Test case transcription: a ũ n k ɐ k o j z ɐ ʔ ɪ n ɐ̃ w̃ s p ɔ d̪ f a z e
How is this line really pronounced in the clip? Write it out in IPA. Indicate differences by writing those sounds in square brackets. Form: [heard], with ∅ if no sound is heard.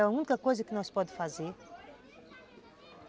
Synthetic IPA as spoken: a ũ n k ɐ k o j z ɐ [k] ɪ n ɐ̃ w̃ s p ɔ d̪ f a z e